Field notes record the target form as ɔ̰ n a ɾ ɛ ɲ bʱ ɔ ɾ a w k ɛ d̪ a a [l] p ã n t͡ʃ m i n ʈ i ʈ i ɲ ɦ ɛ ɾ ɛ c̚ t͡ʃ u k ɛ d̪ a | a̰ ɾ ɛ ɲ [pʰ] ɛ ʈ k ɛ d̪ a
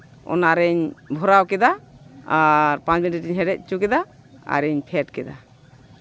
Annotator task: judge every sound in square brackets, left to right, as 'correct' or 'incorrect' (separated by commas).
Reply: incorrect, correct